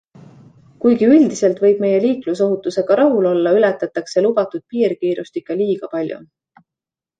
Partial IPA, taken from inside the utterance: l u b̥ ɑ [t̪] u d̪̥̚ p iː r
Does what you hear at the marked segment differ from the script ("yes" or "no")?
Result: no